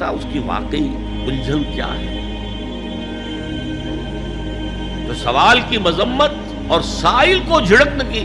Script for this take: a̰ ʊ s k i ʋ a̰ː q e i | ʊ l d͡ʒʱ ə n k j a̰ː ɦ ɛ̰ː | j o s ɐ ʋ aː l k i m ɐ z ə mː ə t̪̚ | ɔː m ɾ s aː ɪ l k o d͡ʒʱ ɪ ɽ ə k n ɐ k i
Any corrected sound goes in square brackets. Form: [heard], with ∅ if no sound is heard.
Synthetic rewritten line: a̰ ʊ s k i ʋ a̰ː q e i | ʊ l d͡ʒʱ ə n k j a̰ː ɦ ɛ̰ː | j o s ɐ ʋ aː l k i m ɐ z ə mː ə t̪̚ | ɔː [∅] ɾ s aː ɪ l k o d͡ʒʱ ɪ ɽ ə k n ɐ k i